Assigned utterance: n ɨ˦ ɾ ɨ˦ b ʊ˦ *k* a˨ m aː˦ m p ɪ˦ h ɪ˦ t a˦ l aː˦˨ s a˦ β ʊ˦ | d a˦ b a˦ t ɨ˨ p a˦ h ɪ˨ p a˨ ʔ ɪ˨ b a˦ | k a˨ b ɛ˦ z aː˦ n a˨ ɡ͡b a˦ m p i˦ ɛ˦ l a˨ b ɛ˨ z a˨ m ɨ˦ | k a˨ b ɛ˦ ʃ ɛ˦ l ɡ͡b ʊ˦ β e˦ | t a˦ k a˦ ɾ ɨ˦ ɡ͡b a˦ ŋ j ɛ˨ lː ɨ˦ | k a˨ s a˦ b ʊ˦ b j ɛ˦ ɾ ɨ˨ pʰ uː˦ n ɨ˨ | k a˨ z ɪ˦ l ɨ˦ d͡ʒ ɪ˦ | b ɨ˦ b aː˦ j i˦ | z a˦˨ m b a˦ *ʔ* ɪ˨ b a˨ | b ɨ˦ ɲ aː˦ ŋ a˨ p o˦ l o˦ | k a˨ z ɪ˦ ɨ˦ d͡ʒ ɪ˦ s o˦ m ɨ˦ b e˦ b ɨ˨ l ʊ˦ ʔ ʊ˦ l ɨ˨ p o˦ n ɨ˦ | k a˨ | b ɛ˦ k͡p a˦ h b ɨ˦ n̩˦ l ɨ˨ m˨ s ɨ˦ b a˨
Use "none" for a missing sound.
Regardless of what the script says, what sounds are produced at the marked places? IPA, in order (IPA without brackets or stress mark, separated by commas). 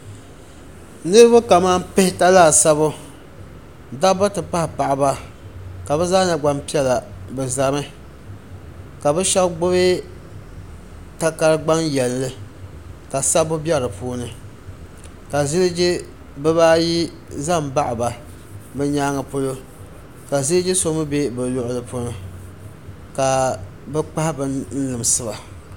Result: k, ʔ